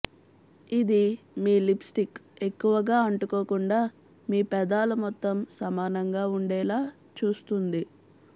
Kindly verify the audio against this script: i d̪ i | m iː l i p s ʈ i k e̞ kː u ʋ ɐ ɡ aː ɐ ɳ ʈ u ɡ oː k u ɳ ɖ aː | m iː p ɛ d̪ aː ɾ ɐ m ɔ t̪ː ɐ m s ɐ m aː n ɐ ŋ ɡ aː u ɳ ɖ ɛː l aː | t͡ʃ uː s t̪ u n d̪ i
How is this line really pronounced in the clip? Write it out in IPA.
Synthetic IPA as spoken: i d̪ i | m iː l i p s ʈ i k e̞ kː u ʋ ɐ ɡ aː ɐ ɳ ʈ u k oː k u ɳ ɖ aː | m iː p ɛ d̪ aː l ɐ m ɔ t̪ː ɐ m s ɐ m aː n ɐ ŋ ɡ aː u ɳ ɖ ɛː l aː | t͡ʃ uː s t̪ u n d̪ i